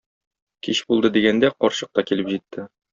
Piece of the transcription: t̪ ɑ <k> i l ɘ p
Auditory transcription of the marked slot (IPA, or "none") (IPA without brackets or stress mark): k